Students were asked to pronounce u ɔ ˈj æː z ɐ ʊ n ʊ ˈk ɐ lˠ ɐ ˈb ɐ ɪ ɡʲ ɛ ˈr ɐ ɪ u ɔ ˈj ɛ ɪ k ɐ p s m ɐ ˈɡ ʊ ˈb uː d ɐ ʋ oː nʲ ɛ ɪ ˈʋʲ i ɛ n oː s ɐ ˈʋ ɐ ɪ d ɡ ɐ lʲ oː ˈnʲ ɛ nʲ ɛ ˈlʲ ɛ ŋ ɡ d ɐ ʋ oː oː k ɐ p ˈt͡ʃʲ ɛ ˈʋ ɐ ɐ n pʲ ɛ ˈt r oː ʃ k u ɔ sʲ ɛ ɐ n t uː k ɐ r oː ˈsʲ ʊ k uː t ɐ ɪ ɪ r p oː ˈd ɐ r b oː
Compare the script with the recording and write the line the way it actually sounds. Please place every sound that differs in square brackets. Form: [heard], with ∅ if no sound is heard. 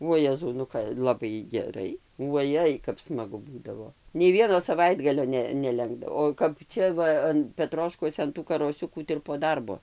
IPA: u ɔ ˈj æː z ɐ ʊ n ʊ ˈk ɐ lˠ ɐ ˈb ɐ ɪ ɡʲ ɛ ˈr ɐ ɪ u ɔ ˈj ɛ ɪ k ɐ p s m ɐ ˈɡ ʊ ˈb uː d ɐ ʋ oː nʲ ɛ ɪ ˈʋʲ i ɛ n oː s ɐ ˈʋ ɐ ɪ d ɡ ɐ lʲ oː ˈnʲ ɛ nʲ ɛ ˈlʲ ɛ ŋ ɡ d ɐ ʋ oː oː k ɐ p ˈt͡ʃʲ ɛ ˈʋ ɐ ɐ n pʲ ɛ ˈt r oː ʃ k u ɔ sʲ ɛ ɐ n t uː k ɐ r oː ˈsʲ ʊ k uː t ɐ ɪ ɪ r p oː ˈd ɐ r b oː

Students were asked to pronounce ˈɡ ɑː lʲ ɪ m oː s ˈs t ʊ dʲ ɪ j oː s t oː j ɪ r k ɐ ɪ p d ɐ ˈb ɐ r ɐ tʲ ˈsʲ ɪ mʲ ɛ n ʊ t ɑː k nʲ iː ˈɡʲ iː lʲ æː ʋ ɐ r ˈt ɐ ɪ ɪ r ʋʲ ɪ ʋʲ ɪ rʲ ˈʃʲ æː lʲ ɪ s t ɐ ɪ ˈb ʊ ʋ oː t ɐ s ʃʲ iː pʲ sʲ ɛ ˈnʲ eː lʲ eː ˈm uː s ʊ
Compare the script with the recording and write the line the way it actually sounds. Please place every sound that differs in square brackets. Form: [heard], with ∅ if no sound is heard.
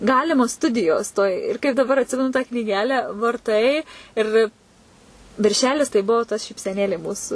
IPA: ˈɡ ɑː lʲ ɪ m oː s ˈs t ʊ dʲ ɪ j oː s t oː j ɪ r k ɐ ɪ p d ɐ ˈb ɐ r ɐ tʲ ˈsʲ ɪ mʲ ɛ n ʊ t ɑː k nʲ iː ˈɡʲ [æː] lʲ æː ʋ ɐ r ˈt ɐ ɪ ɪ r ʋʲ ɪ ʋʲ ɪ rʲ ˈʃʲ æː lʲ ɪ s t ɐ ɪ ˈb ʊ ʋ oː t ɐ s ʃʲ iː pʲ sʲ ɛ ˈnʲ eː lʲ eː ˈm uː s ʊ

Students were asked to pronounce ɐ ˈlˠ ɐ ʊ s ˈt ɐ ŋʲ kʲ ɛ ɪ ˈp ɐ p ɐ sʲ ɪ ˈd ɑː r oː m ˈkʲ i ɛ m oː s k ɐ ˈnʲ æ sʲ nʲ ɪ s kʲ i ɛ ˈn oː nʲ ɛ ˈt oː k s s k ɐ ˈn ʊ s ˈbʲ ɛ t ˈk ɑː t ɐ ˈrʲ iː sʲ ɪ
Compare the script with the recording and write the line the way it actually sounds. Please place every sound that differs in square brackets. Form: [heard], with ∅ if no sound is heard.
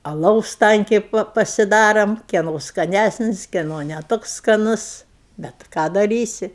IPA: ɐ ˈlˠ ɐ ʊ s ˈt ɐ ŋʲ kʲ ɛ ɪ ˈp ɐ p ɐ sʲ ɪ ˈd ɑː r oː m ˈkʲ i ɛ [n] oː s k ɐ ˈnʲ æ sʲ nʲ ɪ s kʲ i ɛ ˈn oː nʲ ɛ ˈt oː k s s k ɐ ˈn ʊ s ˈbʲ ɛ t ˈk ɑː [d] ɐ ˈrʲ iː sʲ ɪ

